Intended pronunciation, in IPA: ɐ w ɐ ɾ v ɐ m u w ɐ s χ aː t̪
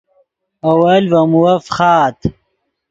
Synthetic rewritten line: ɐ w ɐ l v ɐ m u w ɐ f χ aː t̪